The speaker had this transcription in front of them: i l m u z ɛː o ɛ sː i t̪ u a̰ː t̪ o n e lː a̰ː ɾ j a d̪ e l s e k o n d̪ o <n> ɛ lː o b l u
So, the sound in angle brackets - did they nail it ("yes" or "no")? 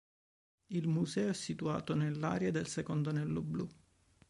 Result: yes